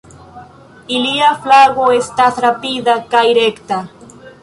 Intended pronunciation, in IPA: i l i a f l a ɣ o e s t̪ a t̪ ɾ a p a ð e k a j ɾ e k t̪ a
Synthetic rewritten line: i l i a f l a ɣ o e s t̪ a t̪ ɾ a p i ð a k a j ɾ e k t̪ a